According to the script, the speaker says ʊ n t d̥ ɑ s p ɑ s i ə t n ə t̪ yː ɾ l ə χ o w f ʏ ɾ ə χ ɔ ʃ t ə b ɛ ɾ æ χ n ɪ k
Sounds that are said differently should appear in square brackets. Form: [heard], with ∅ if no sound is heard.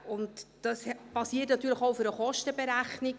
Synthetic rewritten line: ʊ n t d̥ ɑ s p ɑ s i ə t n [ɑ] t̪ yː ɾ l ə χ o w f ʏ ɾ ə χ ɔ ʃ t ə b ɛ ɾ æ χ n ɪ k